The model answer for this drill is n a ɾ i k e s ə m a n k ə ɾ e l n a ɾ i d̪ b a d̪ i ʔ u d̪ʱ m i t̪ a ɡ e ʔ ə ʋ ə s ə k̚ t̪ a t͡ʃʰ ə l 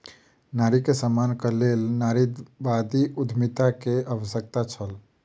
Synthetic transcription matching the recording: n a ɾ i k e s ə m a n k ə l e l n a ɾ i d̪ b a d̪ i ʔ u d̪ʱ m i t̪ a k e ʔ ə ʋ ə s ə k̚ t̪ a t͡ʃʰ ə l